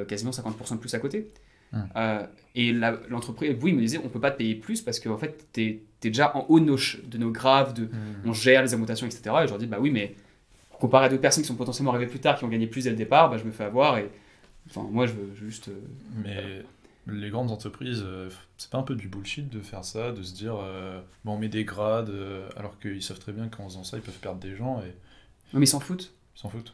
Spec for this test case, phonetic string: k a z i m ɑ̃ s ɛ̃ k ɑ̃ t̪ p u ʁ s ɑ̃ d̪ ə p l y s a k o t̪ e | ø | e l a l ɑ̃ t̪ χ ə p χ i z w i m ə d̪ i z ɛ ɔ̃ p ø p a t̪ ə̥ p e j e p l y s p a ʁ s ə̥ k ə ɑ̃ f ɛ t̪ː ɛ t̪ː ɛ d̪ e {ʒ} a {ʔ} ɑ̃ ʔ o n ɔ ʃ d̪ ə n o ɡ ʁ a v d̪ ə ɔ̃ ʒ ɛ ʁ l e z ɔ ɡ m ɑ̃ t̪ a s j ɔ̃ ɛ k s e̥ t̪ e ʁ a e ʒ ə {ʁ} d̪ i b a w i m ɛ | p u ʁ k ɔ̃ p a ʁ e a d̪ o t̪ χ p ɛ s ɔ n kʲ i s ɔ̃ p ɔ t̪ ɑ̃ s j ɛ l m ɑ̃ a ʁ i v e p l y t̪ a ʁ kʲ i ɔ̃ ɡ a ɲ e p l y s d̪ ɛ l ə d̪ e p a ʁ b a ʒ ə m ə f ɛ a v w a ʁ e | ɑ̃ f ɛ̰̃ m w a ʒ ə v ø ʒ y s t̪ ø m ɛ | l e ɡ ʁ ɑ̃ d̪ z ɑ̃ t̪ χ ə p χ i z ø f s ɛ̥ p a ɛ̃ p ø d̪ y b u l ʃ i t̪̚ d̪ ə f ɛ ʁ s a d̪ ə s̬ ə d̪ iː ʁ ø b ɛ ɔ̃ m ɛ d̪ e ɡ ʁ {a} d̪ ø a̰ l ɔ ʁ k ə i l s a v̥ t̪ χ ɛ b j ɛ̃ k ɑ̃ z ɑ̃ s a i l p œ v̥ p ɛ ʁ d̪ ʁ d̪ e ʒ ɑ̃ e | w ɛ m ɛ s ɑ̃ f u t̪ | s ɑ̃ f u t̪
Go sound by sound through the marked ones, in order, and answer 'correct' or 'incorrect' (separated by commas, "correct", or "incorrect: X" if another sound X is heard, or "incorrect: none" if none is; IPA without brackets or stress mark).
correct, correct, correct, correct